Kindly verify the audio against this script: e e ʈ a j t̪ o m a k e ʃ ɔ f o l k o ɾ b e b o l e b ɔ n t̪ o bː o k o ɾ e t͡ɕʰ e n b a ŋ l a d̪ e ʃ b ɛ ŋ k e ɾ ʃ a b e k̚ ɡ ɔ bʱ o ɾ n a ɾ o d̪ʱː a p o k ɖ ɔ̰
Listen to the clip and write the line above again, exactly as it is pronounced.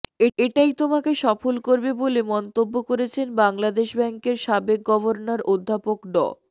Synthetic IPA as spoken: e e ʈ a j t̪ o m a k e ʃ ɔ f o l k o ɾ b e b o l e m ɔ n t̪ o bː o k o ɾ e t͡ɕʰ e n b a ŋ l a d̪ e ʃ b ɛ ŋ k e ɾ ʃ a b e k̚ ɡ ɔ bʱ o ɾ n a ɾ o d̪ʱː a p o k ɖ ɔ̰